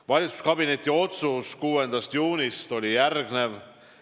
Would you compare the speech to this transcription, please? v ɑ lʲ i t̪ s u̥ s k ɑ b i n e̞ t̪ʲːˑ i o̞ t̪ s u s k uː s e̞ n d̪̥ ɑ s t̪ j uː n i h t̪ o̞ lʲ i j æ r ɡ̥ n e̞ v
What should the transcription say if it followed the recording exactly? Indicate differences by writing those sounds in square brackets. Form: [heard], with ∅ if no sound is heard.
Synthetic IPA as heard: v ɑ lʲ i t̪ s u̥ s k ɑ b i n e̞ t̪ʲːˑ i o̞ t̪ s u s k uː [∅] e̞ n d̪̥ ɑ s t̪ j uː n i [s] t̪ o̞ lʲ i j æ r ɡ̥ n e̞ v